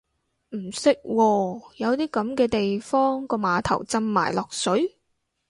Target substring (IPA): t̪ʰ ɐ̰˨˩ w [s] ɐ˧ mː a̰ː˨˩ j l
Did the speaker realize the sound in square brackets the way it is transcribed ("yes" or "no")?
no